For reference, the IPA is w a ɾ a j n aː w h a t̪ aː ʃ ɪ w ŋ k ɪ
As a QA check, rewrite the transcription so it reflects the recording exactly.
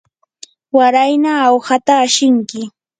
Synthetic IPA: w a ɾ a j n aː w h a t̪ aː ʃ ɪ ŋ k ɪ